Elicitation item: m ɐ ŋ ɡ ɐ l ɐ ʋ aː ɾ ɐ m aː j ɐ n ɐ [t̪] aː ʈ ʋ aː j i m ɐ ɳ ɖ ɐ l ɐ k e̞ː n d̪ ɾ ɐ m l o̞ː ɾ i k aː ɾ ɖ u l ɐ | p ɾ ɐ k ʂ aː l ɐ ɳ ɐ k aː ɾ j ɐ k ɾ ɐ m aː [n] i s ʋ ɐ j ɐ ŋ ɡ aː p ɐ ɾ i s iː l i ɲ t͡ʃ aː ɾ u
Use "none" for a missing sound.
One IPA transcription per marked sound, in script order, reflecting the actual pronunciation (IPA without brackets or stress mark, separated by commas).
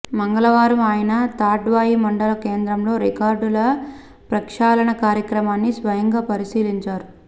t̪, nː